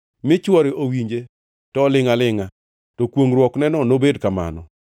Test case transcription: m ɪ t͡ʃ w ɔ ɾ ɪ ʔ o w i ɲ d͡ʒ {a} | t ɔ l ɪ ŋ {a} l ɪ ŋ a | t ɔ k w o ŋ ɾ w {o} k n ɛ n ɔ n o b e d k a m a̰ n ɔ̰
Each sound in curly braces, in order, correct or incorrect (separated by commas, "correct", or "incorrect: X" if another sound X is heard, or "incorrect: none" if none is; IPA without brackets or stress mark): incorrect: e, correct, incorrect: ɔ